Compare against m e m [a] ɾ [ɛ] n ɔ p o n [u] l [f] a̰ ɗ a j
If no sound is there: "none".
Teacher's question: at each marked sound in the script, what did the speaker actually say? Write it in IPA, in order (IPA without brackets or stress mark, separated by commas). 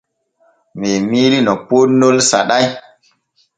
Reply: i, i, o, s